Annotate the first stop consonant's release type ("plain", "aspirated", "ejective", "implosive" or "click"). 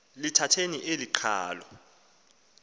aspirated